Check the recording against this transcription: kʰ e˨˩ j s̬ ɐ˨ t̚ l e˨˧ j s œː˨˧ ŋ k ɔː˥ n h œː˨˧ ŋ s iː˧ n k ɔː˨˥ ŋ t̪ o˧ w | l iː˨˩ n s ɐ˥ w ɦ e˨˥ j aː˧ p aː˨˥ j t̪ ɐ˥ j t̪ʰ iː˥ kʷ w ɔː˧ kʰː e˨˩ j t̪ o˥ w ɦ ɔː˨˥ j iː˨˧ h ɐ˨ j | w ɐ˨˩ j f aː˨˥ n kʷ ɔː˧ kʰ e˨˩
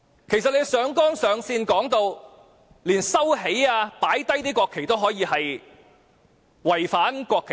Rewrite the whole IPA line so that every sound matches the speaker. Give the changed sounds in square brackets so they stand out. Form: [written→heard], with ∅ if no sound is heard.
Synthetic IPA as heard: kʰ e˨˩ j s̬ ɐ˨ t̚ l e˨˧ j s œː˨˧ ŋ k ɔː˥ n [h→s] œː˨˧ ŋ s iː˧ n k ɔː˨˥ ŋ t̪ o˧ w | l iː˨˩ n s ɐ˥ w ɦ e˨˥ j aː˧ p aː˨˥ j t̪ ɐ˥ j [t̪ʰ→t̪] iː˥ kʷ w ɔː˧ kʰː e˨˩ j t̪ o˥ w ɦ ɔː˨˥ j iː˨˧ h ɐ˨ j | w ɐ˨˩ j f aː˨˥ n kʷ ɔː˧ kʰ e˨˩